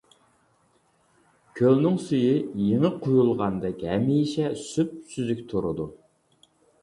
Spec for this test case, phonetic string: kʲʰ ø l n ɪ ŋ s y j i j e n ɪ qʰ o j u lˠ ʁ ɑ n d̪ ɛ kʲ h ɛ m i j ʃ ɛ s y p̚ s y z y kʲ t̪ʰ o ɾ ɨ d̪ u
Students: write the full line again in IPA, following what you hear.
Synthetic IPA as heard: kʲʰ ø l n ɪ ŋ s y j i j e ŋ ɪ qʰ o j u lˠ ʁ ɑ n d̪ ɛ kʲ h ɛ m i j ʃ ɛ s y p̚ s y z y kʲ t̪ʰ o ɾ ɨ d̪ u

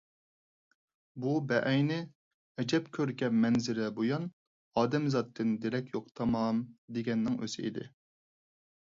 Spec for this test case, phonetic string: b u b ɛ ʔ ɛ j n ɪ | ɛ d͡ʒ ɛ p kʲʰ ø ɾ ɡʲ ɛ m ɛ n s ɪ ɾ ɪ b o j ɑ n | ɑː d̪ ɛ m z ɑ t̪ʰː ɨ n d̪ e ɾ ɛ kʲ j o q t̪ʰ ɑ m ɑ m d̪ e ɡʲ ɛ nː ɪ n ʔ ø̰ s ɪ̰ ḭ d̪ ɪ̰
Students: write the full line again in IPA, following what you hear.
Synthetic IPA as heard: b u b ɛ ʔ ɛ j n ɪ | ɛ d͡ʒ ɛ p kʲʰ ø ɾ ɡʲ ɛ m ɛ n z ɪ ɾ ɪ b o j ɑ n | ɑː d̪ ɛ m z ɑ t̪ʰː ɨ n d̪ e ɾ ɛ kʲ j o q t̪ʰ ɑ m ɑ m d̪ e ɡʲ ɛ nː ɪ ŋ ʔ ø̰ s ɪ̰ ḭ d̪ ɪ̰

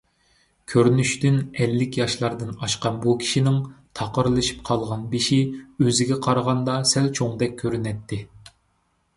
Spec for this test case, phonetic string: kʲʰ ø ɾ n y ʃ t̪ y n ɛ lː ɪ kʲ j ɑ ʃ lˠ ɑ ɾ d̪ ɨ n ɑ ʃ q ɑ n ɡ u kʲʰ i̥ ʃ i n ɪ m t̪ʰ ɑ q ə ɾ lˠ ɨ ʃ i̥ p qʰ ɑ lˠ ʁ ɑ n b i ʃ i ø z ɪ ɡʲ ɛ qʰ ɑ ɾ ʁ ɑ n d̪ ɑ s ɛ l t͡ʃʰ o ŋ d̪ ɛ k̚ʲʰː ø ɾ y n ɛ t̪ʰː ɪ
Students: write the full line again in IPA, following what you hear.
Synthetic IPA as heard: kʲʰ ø ɾ n y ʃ t̪ y n ɛ lː ɪ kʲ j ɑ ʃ lˠ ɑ ɾ d̪ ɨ n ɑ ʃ q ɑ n b u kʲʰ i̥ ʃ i n ɪ ŋ t̪ʰ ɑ q ə ɾ lˠ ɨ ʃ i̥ p qʰ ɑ lˠ ʁ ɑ n b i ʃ i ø z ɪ ɡʲ ɛ qʰ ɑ ɾ ʁ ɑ n d̪ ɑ s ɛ l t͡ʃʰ o ŋ d̪ ɛ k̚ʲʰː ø ɾ y n ɛ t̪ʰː ɪ

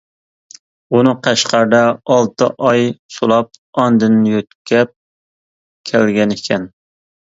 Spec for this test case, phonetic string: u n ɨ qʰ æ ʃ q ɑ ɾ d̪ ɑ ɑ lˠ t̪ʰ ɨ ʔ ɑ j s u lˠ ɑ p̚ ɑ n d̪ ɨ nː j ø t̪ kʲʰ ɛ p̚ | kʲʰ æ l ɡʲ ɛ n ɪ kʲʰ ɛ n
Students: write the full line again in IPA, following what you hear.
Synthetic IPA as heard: u n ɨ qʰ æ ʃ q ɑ ɾ d̪ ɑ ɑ lˠ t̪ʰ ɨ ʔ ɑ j s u lˠ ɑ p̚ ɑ n d̪ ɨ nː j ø t̪ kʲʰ ɛ p̚ | kʲʰ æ l ɡʲ ɛ n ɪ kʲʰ ɛ n

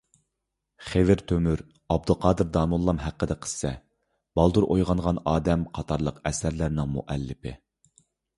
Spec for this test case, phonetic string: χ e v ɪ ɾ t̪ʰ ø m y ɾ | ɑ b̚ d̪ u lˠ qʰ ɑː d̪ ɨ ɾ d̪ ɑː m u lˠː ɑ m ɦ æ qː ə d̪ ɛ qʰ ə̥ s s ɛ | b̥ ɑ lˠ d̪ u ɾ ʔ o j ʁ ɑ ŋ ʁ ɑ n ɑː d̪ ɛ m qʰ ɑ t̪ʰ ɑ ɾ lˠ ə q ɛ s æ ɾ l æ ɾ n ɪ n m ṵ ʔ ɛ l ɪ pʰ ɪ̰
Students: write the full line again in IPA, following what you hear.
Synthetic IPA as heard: χ e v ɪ ɾ t̪ʰ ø m y ɾ | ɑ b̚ d̪ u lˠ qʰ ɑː d̪ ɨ ɾ d̪ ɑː m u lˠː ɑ m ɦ æ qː ə d̪ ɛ qʰ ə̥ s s ɛ | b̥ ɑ lˠ d̪ u ɾ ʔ o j ʁ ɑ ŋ ʁ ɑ n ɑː d̪ ɛ m qʰ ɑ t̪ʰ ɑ ɾ lˠ ə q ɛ s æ ɾ l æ ɾ n ɪ ŋ m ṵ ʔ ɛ lː ɪ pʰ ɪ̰

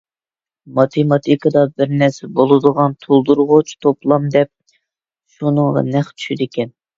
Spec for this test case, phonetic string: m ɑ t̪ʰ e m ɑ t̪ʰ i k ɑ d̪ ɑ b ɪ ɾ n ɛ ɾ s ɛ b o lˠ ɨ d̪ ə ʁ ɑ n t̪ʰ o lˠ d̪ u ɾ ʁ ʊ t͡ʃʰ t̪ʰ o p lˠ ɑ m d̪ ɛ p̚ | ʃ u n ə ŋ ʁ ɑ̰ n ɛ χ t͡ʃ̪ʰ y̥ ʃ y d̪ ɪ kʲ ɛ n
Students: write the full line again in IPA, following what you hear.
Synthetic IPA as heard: m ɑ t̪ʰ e m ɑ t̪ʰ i k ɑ d̪ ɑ b ɪ ɾ n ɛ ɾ s ɛ b o lˠ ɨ d̪ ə ʁ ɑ n t̪ʰ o lˠ d̪ u ɾ ʁ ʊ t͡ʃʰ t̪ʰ o p lˠ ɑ m d̪ ɛ p̚ | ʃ u n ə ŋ ʁ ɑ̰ n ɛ χ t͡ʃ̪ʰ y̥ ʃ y d̪ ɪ kʲ ɛ n

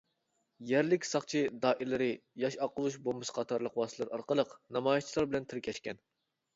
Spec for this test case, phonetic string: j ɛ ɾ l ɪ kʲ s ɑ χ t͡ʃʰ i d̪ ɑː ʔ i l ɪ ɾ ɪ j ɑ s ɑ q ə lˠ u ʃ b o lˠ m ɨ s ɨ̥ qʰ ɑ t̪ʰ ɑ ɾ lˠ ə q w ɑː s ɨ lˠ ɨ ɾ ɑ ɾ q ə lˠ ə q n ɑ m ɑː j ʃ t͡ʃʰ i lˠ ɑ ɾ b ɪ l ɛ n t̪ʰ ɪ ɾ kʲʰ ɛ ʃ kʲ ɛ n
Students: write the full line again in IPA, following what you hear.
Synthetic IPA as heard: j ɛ ɾ l ɪ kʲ s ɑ χ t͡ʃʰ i d̪ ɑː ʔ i l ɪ ɾ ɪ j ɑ ʃ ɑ q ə lˠ u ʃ b o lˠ m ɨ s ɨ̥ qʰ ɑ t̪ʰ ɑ ɾ lˠ ə q w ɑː s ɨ lˠ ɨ ɾ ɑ ɾ q ə lˠ ə q n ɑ m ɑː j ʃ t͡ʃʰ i lˠ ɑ ɾ b ɪ l ɛ n t̪ʰ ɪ ɾ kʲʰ ɛ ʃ kʲ ɛ n

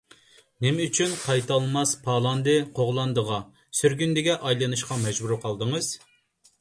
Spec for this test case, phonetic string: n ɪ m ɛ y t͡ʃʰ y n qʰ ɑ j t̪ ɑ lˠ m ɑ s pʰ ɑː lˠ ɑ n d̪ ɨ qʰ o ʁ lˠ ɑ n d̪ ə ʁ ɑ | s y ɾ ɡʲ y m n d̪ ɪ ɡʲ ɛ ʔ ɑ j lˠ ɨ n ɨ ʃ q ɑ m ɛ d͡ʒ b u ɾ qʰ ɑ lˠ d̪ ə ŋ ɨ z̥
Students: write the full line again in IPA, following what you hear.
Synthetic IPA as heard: n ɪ m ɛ y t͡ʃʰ y n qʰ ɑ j t̪ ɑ lˠ m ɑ s pʰ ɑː lˠ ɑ n d̪ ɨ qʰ o ʁ lˠ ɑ n d̪ ə ʁ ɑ | s y ɾ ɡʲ y n d̪ ɪ ɡʲ ɛ ʔ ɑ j lˠ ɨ n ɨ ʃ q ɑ m ɛ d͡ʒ b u ɾ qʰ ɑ lˠ d̪ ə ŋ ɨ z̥

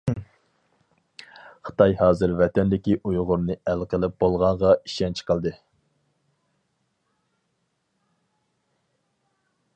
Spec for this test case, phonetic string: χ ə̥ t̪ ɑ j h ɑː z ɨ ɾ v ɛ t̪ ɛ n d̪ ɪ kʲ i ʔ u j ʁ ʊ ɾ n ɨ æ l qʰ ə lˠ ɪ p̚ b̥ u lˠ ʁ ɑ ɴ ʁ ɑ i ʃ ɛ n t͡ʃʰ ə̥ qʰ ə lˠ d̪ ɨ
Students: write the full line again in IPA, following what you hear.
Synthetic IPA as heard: χ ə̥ t̪ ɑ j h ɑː z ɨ ɾ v ɛ t̪ ɛ n d̪ ɪ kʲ i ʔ u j ʁ ʊ ɾ n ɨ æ l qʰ ə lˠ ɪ p̚ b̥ o lˠ ʁ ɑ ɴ ʁ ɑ i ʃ ɛ n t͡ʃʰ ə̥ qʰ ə lˠ d̪ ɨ

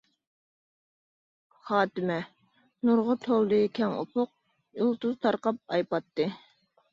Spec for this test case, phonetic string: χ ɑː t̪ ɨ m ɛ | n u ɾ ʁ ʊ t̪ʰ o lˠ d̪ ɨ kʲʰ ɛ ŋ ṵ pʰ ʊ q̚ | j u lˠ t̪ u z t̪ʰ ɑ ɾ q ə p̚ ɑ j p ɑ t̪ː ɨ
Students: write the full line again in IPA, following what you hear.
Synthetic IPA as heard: χ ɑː t̪ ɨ m ɛ | n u ɾ ʁ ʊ t̪ʰ o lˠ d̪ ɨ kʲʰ ɛ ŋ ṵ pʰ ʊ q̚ | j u lˠ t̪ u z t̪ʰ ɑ ɾ q ɑ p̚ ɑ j p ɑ t̪ː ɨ

